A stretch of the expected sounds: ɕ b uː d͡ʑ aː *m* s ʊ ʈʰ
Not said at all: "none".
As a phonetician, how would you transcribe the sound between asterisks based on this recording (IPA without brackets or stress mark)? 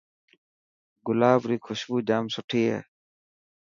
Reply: m